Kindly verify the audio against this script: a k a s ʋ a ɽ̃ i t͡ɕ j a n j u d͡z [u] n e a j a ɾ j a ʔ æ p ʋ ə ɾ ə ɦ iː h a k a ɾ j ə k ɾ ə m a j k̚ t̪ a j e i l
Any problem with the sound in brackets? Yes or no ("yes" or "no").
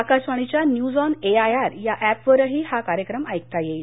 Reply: yes